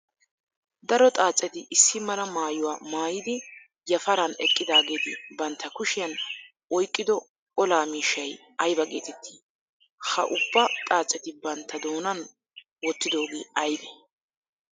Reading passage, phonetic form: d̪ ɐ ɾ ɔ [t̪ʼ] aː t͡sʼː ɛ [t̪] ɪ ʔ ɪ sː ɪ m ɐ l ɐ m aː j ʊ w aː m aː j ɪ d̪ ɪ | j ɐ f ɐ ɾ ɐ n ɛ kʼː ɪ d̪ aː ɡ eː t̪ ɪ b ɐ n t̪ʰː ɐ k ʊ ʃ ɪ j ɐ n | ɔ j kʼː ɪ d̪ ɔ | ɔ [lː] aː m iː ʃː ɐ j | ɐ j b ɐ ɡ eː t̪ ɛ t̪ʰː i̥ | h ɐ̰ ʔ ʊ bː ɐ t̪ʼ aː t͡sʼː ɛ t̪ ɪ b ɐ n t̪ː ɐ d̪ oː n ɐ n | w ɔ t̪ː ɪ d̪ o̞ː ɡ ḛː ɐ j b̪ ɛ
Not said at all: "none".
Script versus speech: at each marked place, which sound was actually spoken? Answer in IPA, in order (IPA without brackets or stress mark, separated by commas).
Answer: t̪ʼ, t̪, l